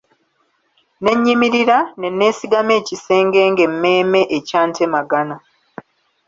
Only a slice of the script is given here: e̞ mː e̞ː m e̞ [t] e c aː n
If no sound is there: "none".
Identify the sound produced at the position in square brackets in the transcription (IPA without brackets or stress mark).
ʔ